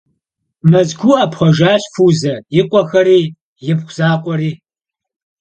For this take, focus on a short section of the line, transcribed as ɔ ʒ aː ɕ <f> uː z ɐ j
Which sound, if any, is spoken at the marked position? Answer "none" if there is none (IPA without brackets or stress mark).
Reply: f